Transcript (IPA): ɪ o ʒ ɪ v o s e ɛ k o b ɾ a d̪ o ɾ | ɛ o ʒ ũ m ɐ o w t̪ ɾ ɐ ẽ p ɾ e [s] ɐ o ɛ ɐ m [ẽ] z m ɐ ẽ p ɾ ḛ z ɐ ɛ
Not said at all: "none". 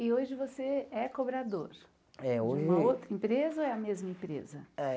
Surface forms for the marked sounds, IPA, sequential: z, e

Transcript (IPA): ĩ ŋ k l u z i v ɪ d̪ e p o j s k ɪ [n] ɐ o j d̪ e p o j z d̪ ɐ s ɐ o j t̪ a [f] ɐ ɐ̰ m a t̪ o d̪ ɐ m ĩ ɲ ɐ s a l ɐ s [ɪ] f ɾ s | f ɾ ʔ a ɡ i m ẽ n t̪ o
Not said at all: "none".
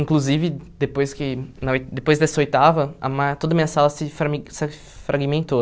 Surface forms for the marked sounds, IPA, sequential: n, v, ɪ

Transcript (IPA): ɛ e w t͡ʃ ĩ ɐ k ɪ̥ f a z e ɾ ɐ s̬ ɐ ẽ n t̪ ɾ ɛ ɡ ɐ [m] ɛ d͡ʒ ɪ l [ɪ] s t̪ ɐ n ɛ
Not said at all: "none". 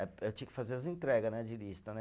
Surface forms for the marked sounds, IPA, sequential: n, i

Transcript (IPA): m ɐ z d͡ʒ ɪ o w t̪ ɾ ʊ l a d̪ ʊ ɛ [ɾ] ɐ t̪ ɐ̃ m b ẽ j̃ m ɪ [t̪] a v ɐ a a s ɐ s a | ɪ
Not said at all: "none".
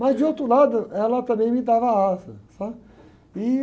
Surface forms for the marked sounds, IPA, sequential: l, d̪

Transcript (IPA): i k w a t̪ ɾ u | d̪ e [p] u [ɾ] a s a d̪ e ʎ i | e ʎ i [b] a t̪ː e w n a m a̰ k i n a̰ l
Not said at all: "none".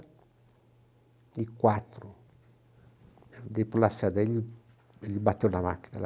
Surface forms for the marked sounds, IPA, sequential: p, l, b

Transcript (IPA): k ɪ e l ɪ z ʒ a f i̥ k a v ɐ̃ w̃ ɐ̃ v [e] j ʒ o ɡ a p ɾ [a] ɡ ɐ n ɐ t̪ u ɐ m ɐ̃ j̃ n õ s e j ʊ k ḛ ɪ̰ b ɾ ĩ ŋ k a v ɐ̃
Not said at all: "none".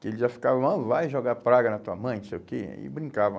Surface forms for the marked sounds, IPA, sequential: a, a

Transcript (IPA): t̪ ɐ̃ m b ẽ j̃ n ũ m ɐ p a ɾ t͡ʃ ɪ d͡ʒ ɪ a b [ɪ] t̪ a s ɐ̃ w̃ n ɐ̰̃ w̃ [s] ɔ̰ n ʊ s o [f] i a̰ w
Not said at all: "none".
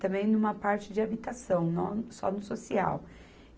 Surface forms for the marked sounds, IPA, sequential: i, s, s

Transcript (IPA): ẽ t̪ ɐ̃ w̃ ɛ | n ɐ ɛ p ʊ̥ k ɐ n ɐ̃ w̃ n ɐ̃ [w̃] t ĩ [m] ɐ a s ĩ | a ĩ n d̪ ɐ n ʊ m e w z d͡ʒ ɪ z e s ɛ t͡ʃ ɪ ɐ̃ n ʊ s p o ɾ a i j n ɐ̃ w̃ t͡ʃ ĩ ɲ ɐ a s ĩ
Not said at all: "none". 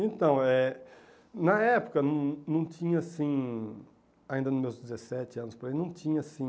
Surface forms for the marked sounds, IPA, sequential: w̃, ɲ

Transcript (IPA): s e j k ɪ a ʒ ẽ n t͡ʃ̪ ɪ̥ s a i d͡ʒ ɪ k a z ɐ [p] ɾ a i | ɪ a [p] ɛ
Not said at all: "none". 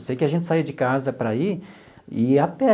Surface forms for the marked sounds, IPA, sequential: p, p

